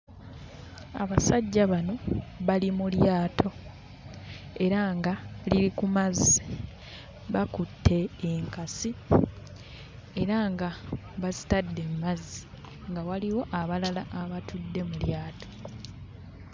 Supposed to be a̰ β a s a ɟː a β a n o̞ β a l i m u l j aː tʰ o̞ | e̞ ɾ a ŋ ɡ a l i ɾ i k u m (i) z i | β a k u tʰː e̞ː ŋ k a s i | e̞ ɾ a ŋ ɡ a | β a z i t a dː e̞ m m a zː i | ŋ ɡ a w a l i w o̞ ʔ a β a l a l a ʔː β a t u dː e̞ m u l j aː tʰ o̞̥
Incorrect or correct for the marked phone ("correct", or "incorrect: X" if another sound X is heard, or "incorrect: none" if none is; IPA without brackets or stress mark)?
incorrect: a